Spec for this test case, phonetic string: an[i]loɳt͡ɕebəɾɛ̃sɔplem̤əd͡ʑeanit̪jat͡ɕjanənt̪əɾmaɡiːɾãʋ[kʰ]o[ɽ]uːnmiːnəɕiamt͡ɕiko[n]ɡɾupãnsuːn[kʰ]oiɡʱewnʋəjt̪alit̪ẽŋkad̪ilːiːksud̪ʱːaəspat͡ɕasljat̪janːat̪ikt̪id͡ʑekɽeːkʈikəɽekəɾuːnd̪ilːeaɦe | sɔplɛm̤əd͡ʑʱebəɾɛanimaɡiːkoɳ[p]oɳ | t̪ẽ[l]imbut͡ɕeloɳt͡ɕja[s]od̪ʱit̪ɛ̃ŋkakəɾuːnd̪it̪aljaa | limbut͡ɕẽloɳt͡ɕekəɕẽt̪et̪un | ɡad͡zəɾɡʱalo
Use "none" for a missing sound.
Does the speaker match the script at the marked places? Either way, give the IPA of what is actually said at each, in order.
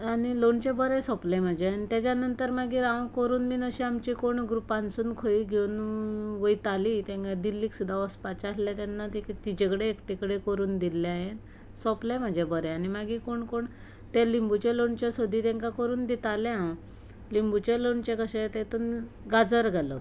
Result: i, k, ɾ, ɳ, kʰ, k, l, s

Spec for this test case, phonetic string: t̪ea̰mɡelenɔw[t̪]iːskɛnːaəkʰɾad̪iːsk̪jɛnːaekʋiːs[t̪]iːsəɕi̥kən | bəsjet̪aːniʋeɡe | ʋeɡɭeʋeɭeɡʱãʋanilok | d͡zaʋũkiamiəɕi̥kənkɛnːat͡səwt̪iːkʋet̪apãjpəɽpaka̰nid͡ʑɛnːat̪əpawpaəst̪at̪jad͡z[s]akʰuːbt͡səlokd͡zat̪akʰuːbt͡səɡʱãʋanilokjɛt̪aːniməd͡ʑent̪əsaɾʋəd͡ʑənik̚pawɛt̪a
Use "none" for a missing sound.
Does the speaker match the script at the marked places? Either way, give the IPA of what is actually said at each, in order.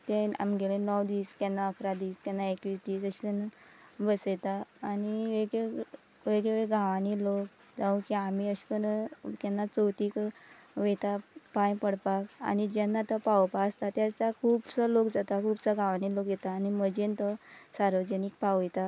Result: d̪, d̪, t͡s

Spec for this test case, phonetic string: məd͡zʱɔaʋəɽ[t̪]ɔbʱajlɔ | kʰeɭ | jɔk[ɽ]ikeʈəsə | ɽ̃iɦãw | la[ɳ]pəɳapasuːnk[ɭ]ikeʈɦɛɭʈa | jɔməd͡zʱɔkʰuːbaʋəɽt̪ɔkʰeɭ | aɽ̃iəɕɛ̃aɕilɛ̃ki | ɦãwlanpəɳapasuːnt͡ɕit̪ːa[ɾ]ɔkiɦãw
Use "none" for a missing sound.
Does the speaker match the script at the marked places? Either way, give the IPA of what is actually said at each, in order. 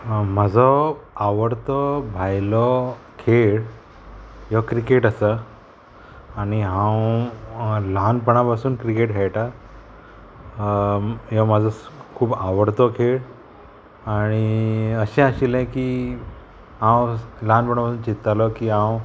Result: t̪, ɾ, n, ɾ, l

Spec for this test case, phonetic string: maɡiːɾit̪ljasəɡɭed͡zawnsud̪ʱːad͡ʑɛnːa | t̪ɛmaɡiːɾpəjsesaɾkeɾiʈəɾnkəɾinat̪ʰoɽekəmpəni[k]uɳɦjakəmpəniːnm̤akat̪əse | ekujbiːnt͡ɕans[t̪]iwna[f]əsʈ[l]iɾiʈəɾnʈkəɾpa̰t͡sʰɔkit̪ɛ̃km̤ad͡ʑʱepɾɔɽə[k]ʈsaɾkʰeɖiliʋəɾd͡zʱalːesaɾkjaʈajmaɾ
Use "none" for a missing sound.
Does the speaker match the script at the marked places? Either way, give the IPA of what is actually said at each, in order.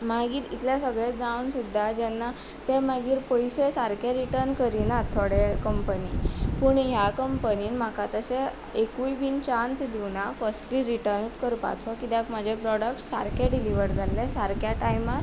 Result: p, d̪, f, l, k

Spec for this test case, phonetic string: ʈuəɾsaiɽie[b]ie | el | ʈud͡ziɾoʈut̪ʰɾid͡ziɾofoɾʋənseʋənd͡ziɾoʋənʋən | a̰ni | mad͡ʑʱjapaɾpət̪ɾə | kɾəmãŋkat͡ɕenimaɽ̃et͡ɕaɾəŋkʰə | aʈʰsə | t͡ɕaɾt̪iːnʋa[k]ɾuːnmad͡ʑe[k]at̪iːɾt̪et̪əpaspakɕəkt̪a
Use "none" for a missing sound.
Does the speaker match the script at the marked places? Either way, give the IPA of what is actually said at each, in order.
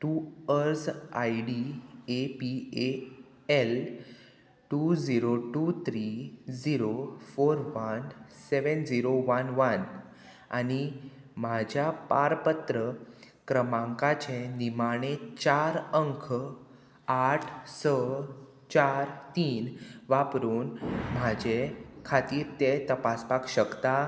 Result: p, p, kʰ

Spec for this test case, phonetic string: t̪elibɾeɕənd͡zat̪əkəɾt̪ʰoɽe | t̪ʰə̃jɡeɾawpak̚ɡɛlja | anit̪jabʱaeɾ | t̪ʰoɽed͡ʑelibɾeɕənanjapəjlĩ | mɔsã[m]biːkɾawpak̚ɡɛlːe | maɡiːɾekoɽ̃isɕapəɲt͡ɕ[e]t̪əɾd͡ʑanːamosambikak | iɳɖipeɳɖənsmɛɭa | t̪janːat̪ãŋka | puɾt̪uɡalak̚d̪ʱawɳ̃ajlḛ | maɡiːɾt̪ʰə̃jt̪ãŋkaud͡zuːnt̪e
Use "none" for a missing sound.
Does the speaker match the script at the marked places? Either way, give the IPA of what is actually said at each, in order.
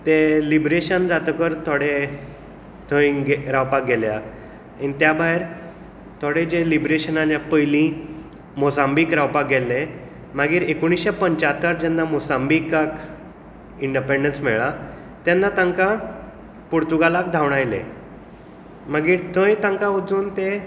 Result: m, a

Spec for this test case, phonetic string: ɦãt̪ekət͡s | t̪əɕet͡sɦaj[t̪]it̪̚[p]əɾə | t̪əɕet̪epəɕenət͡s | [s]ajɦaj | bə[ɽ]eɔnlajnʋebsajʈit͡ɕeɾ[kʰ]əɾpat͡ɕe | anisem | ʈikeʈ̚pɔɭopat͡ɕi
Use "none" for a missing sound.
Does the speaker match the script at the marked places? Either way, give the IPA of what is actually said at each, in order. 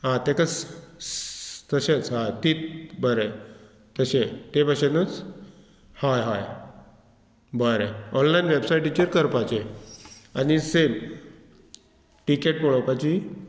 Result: t̪, b, h, ɾ, k

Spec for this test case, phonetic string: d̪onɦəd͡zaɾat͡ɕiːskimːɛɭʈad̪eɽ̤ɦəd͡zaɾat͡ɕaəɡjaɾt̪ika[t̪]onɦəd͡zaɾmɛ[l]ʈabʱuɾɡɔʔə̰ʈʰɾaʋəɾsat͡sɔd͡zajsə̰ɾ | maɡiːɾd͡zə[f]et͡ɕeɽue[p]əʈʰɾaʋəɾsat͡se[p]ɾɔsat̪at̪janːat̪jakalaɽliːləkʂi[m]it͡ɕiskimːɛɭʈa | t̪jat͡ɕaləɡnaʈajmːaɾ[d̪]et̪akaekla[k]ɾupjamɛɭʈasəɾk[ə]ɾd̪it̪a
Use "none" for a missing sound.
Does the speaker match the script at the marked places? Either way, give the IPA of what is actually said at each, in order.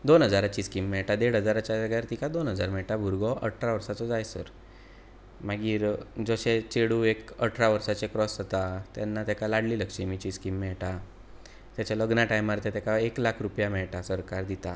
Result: d̪, ɭ, ɕ, k, k, m, t̪, kʰ, a

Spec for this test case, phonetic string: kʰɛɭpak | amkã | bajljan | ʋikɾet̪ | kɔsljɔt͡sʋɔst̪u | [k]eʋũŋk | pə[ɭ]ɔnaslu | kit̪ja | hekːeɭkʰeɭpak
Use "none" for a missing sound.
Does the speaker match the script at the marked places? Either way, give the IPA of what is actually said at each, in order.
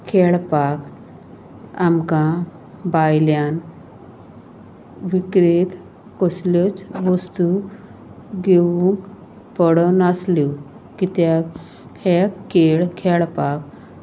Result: ɡ, ɽ

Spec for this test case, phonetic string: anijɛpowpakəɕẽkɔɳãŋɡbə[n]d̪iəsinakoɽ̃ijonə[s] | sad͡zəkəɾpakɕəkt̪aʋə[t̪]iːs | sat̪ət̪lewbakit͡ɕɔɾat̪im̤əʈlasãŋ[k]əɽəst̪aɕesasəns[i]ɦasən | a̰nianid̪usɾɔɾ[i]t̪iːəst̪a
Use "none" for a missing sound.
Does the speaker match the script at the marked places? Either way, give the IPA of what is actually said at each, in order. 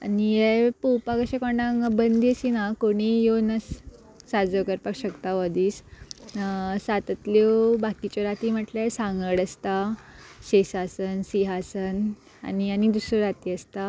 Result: n, s, d̪, ɡ, i, a

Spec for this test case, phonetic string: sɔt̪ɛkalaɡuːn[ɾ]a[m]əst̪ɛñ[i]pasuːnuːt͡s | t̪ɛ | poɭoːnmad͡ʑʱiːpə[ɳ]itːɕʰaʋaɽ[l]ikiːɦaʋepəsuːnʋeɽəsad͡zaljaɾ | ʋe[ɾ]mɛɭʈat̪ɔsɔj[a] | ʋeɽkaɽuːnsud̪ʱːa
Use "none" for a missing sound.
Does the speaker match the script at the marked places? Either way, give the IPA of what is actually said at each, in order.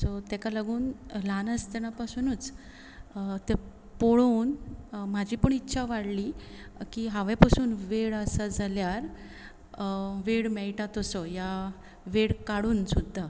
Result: l, n, a, ɳ, l, ɽ, a

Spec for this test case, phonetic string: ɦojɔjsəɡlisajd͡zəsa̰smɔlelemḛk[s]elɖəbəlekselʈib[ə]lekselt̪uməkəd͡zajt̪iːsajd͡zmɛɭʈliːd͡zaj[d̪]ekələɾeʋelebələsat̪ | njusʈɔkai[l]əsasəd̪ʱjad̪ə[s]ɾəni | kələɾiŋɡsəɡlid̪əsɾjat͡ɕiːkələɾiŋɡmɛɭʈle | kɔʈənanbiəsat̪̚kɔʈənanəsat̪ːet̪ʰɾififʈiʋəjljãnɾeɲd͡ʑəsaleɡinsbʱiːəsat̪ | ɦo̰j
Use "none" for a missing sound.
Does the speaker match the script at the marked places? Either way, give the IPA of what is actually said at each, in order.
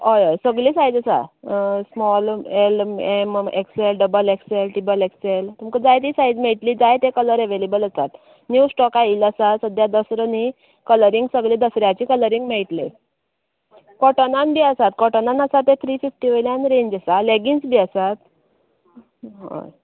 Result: s, ə, t̪, l, s

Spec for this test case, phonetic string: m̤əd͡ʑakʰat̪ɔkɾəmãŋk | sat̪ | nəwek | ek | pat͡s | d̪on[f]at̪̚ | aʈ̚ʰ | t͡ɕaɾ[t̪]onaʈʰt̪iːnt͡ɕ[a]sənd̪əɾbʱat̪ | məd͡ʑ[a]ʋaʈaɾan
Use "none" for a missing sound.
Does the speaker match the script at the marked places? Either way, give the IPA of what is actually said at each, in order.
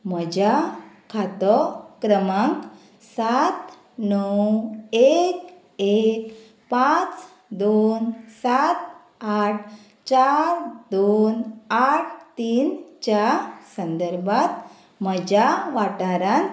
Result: s, d̪, a, a

